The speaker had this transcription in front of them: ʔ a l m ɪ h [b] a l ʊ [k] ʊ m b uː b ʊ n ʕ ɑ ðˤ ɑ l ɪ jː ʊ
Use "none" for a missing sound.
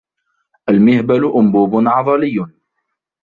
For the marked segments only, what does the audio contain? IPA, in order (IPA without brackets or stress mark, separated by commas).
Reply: b, ʔ